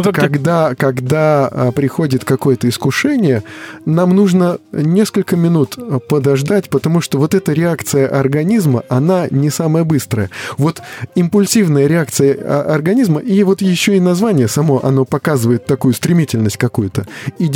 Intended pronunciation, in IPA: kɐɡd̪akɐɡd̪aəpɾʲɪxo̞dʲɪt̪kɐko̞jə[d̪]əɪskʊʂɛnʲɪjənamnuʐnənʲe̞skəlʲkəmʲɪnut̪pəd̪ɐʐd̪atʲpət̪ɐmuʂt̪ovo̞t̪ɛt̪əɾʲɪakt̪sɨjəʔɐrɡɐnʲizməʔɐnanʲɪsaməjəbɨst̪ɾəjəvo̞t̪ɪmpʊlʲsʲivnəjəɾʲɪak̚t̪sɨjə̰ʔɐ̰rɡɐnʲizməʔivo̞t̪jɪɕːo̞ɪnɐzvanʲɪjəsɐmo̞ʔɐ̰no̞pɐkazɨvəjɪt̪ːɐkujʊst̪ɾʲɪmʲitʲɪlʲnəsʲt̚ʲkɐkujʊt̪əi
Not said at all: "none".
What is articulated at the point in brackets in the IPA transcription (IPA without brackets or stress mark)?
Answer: t̪